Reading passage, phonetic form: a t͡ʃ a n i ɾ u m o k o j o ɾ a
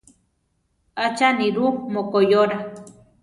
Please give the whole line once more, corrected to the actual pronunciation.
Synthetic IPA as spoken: a t͡ʃ a n i ɾ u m o k o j o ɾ a